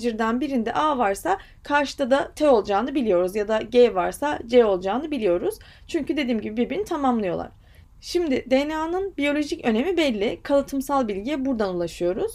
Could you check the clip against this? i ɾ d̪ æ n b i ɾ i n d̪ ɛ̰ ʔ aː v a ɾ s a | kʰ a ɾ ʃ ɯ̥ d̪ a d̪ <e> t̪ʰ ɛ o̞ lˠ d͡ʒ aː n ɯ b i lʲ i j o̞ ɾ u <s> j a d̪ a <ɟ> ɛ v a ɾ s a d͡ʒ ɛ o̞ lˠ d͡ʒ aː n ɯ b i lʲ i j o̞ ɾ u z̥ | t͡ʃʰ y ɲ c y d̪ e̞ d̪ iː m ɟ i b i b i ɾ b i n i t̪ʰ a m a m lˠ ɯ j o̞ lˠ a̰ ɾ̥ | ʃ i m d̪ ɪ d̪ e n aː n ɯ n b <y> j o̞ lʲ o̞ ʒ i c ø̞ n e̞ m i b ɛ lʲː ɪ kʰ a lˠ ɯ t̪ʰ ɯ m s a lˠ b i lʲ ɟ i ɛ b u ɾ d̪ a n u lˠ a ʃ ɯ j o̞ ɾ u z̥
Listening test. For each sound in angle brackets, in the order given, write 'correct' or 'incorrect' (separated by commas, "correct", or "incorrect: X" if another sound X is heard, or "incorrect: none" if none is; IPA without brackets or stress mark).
incorrect: a, incorrect: z, correct, incorrect: i